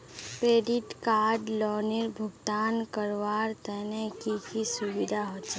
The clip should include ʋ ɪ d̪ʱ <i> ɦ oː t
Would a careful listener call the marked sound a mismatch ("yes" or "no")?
yes